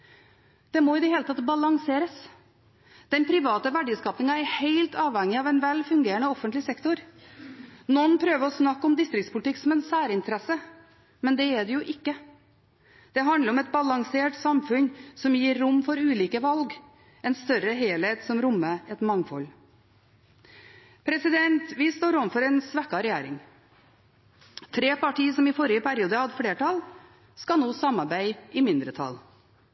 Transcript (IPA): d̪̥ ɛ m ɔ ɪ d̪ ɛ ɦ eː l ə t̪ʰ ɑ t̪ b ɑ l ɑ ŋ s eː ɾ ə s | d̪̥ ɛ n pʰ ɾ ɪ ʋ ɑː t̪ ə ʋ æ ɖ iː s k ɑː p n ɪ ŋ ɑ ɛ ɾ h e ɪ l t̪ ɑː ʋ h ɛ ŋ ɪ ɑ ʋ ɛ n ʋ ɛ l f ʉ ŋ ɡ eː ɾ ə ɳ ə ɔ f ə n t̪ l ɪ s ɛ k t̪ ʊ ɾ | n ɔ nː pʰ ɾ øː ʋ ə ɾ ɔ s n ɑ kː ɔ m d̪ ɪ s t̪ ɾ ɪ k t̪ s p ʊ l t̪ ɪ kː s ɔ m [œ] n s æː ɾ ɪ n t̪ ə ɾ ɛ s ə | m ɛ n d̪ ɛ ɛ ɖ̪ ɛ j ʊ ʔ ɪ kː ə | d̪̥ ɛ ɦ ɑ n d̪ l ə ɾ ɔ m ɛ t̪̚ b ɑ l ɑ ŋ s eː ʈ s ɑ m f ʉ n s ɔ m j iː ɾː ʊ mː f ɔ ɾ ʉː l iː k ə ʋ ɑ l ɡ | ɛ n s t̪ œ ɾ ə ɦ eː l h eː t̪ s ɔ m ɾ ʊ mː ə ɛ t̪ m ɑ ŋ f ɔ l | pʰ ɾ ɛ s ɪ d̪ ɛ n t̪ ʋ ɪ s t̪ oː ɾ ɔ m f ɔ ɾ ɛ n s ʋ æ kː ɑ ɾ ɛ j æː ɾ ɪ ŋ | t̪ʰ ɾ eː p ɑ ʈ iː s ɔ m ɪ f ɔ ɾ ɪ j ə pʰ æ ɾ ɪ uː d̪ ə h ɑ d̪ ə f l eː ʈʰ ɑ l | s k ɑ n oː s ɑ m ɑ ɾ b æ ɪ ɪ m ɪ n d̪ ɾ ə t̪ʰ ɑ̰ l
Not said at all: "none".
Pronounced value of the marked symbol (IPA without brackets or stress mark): ɛ